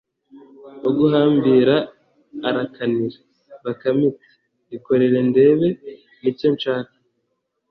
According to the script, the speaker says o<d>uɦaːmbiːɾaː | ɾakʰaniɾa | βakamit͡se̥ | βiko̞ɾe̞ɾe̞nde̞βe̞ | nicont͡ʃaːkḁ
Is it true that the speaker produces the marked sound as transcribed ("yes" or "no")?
no